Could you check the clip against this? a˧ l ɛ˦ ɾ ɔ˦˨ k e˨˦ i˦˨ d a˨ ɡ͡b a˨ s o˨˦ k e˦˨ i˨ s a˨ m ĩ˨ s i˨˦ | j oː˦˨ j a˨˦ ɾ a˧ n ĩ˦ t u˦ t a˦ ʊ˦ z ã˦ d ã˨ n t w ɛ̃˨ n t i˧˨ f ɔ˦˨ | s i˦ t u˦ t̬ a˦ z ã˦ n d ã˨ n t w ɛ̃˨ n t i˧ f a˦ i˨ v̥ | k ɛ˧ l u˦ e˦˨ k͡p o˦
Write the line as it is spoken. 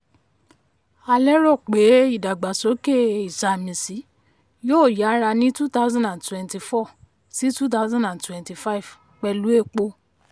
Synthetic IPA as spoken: a˧ l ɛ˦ ɾ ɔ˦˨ k͡p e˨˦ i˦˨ d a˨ ɡ͡b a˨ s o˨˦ k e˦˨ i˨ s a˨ m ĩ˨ s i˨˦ | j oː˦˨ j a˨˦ ɾ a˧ n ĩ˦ t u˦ t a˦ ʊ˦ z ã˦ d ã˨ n t w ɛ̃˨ n t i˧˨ f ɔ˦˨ | s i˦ t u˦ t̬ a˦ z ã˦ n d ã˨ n t w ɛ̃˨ n t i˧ f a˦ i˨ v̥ | k͡p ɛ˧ l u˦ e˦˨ k͡p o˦